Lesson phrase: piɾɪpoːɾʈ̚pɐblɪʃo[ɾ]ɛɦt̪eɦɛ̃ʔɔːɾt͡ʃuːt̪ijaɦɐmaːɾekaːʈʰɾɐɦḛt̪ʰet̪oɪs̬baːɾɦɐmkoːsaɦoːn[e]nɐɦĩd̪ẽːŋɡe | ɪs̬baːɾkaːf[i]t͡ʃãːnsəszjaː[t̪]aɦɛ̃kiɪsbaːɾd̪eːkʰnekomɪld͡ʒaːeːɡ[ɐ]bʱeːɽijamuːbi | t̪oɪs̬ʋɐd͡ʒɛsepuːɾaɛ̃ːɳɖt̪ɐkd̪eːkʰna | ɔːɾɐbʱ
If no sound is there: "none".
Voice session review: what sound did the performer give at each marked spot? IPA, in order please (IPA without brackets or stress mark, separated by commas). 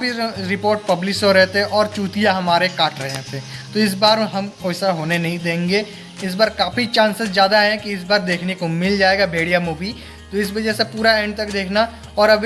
ɾ, e, i, d̪, a